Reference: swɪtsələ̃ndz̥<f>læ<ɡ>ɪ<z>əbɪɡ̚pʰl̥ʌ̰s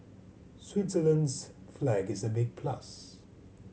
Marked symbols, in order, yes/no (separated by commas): yes, yes, yes